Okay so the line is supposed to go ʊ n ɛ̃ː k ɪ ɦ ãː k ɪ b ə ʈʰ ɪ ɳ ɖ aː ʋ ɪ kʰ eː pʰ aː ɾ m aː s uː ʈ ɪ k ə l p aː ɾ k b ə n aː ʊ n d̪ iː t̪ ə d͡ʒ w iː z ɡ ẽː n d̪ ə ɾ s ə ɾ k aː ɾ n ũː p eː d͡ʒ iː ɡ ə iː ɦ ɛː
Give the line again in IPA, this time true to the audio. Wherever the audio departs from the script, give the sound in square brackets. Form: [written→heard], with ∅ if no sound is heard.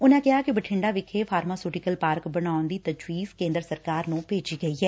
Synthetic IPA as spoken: ʊ n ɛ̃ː k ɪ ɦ [ãː→aː] k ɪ b ə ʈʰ ɪ ɳ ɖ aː ʋ ɪ kʰ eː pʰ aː ɾ m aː s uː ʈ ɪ k ə l p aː ɾ k b ə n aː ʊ n d̪ iː t̪ ə d͡ʒ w iː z [ɡ→k] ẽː n d̪ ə ɾ s ə ɾ k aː ɾ n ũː p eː d͡ʒ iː ɡ ə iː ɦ ɛː